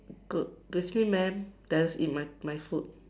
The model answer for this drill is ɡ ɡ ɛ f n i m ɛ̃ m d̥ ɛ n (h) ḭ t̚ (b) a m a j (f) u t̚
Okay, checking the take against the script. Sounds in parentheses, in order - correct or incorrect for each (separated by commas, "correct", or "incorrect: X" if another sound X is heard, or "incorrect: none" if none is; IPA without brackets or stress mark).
incorrect: s, incorrect: m, correct